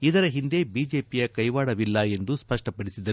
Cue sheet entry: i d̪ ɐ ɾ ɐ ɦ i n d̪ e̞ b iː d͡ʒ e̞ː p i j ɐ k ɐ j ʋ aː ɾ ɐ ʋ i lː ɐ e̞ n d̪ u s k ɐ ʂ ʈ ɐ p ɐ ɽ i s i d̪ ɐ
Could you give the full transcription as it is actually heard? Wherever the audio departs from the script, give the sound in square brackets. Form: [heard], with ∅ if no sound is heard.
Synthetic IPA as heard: i d̪ ɐ ɾ ɐ ɦ i n d̪ e̞ b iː d͡ʒ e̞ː p i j ɐ k ɐ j ʋ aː [ɽ] ɐ ʋ i lː ɐ e̞ n d̪ u s [p] ɐ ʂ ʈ ɐ p ɐ ɽ i s i d̪ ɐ